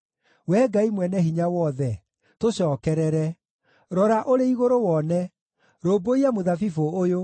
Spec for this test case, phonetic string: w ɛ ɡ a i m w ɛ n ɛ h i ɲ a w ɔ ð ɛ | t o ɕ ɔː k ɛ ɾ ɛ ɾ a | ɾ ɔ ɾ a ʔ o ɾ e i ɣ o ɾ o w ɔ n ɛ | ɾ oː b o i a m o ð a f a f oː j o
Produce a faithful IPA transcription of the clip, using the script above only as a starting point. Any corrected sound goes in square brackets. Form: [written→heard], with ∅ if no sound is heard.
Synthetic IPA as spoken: w ɛ ɡ a i m w ɛ n ɛ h i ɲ a w ɔ ð ɛ | t o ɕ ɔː k ɛ ɾ ɛ ɾ [a→ɛ] | ɾ ɔ ɾ a ʔ o ɾ e i ɣ o ɾ o w ɔ n ɛ | ɾ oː b o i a m o ð a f [a→i] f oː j o